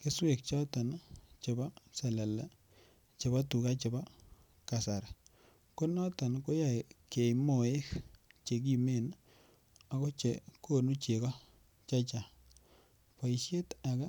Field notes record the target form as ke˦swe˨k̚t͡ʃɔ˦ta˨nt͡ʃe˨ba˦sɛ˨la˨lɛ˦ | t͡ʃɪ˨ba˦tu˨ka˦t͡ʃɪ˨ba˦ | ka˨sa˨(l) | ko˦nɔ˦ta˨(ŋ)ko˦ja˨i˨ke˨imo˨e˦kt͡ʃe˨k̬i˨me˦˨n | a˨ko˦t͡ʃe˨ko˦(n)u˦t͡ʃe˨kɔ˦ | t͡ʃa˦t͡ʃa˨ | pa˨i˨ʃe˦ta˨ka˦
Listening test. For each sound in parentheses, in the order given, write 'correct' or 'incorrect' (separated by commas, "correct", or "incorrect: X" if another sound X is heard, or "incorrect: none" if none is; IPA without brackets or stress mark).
incorrect: ɾ, incorrect: n, correct